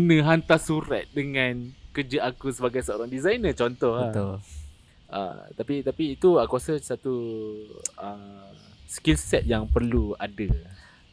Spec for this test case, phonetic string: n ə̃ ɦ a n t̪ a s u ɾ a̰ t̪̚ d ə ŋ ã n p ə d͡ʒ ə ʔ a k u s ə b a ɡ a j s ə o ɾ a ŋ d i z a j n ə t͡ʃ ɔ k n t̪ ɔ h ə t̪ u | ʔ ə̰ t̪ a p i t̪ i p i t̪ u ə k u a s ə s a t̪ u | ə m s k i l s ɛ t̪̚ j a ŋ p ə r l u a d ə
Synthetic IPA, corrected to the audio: n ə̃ ɦ a n t̪ a s u ɾ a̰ t̪̚ d ə ŋ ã n k ə d͡ʒ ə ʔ a k u s ə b a ɡ a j s ə o ɾ a ŋ d i z a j n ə t͡ʃ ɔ n t̪ ɔ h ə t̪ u | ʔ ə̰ t̪ a p i t̪ a p iː t̪ u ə k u a s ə s a t̪ u | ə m s k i l s ɛ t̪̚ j a ŋ p ə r l u a d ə